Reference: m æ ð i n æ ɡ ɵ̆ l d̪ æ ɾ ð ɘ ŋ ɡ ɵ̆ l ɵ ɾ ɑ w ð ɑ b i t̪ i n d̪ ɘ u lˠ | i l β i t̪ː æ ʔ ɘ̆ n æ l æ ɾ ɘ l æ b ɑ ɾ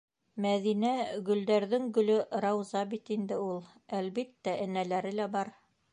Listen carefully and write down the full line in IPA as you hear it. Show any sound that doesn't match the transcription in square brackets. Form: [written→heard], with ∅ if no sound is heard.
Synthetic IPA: m æ ð i n æ ɡ ɵ̆ l d̪ æ ɾ ð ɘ ŋ ɡ ɵ̆ l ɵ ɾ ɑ w [ð→z] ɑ b i t̪ i n d̪ ɘ u lˠ | [i→æ] l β i t̪ː æ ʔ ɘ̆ n æ l æ ɾ ɘ l æ b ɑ ɾ